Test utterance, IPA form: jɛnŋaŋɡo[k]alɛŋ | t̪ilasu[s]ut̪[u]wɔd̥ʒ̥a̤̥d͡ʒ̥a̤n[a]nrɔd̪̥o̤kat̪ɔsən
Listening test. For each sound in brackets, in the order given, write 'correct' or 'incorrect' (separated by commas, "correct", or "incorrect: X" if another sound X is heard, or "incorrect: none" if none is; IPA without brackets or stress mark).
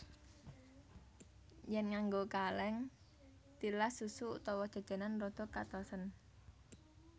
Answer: correct, correct, incorrect: ɔ, correct